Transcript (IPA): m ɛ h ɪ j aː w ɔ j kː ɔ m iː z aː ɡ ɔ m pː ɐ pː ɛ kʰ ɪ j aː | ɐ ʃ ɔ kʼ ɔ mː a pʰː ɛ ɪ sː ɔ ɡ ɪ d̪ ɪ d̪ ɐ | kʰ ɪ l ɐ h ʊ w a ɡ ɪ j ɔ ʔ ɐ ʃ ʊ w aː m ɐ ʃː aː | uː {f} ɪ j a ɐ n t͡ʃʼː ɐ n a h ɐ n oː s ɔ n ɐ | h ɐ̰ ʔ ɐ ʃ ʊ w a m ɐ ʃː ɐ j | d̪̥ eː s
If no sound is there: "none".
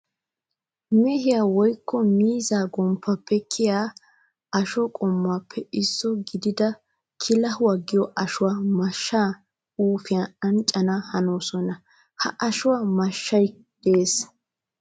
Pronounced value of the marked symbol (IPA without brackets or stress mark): f